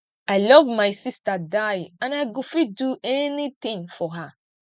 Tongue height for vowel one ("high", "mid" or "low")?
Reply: low